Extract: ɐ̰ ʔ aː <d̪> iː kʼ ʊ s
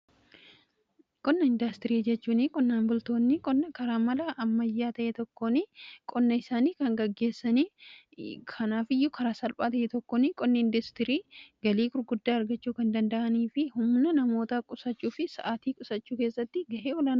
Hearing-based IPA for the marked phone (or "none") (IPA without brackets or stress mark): t̪